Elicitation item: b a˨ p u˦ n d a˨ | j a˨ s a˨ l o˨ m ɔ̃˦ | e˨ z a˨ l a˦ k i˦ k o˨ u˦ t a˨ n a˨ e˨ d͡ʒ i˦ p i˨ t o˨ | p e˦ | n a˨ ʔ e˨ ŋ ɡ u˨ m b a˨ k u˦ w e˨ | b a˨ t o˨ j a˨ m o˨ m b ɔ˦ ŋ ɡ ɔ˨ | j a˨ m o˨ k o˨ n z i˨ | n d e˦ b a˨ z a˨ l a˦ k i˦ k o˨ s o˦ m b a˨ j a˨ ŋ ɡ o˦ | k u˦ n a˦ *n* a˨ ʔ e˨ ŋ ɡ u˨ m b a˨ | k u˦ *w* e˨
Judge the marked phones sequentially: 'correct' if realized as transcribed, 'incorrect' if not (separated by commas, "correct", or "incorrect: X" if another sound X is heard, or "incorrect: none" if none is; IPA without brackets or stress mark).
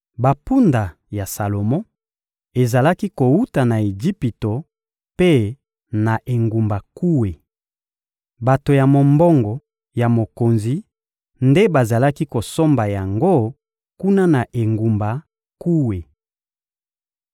correct, correct